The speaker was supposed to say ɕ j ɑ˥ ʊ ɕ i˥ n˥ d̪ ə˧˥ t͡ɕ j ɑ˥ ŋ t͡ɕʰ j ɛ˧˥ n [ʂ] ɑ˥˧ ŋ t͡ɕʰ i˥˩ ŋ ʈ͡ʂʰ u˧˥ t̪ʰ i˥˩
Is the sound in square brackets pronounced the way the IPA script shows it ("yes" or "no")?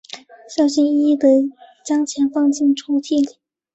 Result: no